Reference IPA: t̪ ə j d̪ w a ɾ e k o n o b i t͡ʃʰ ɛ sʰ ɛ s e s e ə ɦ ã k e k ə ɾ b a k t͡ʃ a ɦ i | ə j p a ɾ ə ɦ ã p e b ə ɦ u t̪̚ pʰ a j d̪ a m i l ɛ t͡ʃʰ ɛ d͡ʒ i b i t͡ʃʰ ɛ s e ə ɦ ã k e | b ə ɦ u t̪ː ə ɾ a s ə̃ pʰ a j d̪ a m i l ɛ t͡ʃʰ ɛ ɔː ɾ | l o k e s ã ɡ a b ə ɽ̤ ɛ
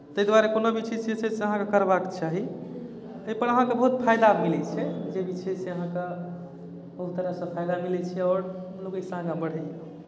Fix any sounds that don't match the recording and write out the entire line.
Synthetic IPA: t̪ ə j d̪ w a ɾ e k o n o b i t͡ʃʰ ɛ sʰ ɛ s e s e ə ɦ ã k e k ə ɾ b a k t͡ʃ a ɦ i | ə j p ə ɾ ə ɦ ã k e b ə ɦ u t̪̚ pʰ a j d̪ a m i l ɛ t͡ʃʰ ɛ d͡ʒ e b i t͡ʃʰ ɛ s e ə ɦ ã k e | b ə ɦ u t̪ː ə ɾ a s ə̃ pʰ a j d̪ a m i l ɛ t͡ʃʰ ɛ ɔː ɾ | l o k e s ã ɡ a b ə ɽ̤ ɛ